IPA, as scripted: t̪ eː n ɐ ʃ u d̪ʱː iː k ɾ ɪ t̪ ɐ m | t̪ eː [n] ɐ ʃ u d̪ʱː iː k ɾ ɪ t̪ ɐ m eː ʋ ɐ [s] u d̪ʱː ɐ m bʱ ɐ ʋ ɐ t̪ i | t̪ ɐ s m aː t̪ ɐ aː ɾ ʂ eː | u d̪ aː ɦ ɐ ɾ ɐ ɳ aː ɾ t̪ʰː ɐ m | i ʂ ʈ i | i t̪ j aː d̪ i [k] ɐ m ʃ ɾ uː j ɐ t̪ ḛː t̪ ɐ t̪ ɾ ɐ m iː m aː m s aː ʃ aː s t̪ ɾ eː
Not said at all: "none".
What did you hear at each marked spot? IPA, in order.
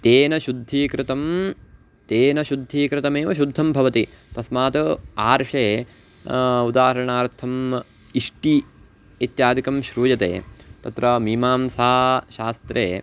n, ʃ, k

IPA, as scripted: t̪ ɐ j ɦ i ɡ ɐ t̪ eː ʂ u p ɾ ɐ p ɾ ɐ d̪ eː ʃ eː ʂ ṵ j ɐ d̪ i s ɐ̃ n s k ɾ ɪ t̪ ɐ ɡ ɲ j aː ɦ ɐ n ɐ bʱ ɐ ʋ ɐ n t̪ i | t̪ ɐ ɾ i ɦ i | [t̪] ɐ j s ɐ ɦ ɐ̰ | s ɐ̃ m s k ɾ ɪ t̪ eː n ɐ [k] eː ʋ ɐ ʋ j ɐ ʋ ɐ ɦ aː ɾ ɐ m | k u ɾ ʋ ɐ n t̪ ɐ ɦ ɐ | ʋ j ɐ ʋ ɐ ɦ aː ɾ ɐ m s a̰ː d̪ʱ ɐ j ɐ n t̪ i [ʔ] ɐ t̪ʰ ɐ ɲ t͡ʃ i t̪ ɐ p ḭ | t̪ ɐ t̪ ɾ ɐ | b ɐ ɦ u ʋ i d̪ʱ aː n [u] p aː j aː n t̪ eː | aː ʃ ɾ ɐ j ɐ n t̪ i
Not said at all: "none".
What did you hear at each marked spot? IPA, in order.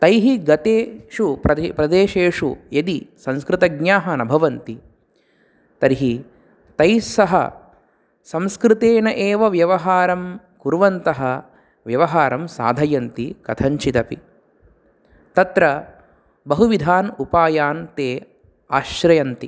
t̪, ʔ, k, u

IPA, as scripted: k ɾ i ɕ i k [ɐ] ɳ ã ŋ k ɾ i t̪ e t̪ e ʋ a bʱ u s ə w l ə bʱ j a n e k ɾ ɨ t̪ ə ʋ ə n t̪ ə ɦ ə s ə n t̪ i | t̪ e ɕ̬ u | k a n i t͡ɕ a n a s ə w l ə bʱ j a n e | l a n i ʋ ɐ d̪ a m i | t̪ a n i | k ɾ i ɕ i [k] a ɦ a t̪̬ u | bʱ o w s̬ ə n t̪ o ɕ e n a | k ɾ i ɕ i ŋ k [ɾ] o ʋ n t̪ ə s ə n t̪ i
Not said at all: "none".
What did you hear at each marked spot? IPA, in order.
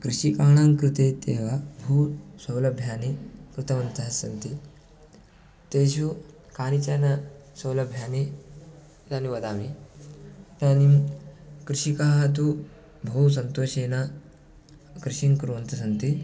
a, k, ɾ

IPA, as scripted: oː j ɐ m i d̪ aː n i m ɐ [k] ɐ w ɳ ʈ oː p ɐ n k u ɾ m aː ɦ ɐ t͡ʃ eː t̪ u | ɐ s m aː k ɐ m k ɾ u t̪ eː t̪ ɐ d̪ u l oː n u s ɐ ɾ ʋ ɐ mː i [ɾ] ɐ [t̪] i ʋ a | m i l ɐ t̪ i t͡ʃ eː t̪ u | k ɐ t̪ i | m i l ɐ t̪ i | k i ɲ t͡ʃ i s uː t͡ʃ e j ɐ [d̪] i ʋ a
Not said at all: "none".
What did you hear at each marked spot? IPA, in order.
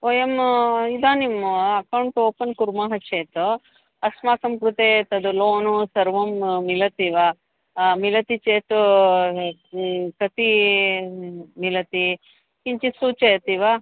k, l, t̪, t̪

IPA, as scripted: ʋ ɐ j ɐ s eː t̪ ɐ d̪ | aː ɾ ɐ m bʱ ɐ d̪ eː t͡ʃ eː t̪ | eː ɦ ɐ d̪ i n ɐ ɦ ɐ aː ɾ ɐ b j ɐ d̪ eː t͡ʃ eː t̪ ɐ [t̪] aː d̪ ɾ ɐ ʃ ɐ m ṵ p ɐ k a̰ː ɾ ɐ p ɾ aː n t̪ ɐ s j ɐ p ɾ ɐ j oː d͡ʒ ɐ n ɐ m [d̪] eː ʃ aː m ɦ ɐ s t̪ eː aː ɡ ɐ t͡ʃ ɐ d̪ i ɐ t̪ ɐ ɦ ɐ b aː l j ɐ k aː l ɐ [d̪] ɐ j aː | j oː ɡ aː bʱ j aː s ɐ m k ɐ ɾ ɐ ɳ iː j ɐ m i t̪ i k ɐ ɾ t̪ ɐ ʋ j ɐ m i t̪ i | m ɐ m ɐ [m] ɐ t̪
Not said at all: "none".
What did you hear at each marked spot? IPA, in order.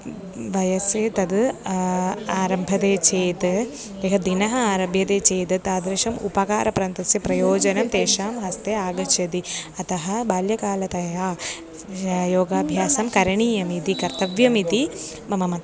t̪, t̪, t̪, m

